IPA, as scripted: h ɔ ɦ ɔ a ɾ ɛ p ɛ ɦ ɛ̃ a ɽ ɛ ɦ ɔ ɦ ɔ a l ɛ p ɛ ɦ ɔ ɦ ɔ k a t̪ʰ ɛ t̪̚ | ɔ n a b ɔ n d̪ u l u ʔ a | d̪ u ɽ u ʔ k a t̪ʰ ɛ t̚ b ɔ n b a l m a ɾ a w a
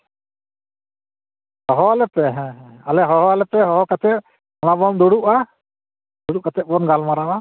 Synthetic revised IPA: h ɔ ɦ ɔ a l ɛ p ɛ ɦ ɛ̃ a l ɛ ɦ ɔ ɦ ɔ a l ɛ p ɛ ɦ ɔ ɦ ɔ k a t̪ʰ ɛ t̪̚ | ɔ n a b ɔ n d̪ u ɽ u ʔ a | d̪ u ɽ u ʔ k a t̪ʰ ɛ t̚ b ɔ n ɡ a l m a ɾ a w a